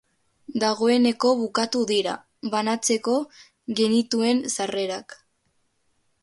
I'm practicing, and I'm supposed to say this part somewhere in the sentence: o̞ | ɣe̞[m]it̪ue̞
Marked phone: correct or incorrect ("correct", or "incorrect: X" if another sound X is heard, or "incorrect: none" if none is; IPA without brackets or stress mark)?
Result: incorrect: n